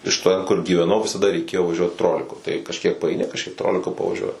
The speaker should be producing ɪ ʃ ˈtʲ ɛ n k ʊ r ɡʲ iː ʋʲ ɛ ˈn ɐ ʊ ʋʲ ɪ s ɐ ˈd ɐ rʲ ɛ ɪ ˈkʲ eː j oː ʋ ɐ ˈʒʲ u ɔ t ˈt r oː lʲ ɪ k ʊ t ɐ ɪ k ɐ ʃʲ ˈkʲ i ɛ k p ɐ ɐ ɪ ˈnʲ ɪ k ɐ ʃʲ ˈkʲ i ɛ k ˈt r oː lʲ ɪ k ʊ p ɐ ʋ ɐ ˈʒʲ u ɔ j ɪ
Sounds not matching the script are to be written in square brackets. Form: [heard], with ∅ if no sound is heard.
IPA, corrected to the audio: ɪ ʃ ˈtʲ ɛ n k ʊ r ɡʲ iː ʋʲ ɛ ˈn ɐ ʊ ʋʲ ɪ s ɐ ˈd ɐ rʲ ɛ ɪ ˈkʲ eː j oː ʋ ɐ ˈʒʲ u ɔ t ˈt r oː lʲ ɪ k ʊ t ɐ ɪ k ɐ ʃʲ ˈkʲ i ɛ k p ɐ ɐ ɪ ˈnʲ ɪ k ɐ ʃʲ ˈkʲ i ɛ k ˈt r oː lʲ ɪ k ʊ p ɐ ʋ ɐ ˈʒʲ u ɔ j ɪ

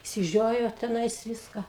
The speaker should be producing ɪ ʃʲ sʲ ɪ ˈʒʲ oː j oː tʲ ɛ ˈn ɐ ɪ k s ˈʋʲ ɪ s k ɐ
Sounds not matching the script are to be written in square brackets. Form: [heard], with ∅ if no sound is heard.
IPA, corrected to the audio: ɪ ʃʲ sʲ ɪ ˈʒʲ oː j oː tʲ ɛ ˈn ɐ ɪ [∅] s ˈʋʲ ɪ s k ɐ

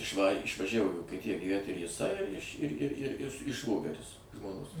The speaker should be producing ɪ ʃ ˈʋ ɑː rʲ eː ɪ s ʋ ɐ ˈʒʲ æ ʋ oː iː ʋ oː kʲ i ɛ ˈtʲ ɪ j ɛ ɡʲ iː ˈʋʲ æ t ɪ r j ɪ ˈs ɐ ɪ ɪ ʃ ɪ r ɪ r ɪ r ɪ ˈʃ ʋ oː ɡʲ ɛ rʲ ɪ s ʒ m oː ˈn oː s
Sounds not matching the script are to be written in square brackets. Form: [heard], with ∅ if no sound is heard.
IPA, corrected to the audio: ɪ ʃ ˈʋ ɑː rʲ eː ɪ [ʃ] ʋ ɐ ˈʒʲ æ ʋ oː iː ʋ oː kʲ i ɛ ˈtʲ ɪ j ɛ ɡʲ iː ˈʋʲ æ t ɪ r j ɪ ˈs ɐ ɪ ɪ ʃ ɪ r ɪ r ɪ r ɪ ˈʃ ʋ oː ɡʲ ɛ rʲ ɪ s ʒ m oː ˈn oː s

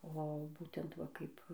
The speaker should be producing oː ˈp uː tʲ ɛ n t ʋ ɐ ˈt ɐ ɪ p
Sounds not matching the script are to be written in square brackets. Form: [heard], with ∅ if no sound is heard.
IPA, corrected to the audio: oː [ˈb] uː tʲ ɛ n t ʋ ɐ [ˈk] ɐ ɪ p

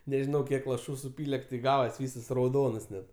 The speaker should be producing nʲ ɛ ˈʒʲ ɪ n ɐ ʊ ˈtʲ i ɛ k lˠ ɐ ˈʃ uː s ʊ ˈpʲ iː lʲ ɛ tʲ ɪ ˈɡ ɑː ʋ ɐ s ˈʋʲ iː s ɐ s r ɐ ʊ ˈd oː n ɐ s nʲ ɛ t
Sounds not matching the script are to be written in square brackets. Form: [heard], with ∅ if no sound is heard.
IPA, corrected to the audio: nʲ ɛ ˈʒʲ ɪ n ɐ ʊ [ˈkʲ] i ɛ k lˠ ɐ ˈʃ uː s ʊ ˈpʲ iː lʲ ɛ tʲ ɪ ˈɡ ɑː ʋ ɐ s ˈʋʲ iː s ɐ s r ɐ ʊ ˈd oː n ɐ s nʲ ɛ t

